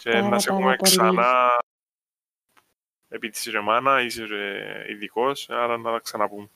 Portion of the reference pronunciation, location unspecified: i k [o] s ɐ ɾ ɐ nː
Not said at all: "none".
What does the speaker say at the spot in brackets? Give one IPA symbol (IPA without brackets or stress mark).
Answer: o